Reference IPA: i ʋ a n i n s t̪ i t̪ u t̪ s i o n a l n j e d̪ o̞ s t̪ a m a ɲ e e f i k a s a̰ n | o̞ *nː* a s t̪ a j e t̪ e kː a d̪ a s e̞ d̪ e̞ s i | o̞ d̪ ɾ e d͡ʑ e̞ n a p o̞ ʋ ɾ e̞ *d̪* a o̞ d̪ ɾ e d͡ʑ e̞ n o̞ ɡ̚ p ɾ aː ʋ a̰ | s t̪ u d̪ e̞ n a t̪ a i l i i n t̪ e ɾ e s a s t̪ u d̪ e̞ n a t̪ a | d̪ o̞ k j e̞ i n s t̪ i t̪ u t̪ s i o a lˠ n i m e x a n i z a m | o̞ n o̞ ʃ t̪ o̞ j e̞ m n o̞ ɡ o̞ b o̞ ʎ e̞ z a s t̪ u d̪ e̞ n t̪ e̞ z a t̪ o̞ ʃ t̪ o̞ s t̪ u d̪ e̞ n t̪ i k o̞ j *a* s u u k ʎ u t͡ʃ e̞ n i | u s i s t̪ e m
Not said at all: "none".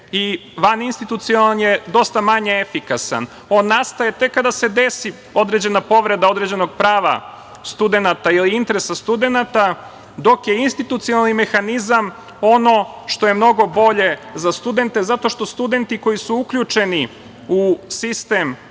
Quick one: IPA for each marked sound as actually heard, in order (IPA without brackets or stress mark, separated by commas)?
nː, d̪, i